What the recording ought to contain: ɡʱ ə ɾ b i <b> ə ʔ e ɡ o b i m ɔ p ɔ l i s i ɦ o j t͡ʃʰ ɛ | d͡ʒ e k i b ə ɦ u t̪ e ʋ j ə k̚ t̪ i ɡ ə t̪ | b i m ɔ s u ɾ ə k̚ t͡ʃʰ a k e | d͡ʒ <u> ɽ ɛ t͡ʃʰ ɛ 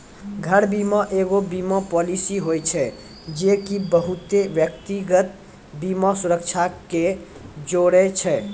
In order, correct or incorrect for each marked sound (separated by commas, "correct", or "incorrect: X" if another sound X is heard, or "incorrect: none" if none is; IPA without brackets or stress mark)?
incorrect: m, incorrect: o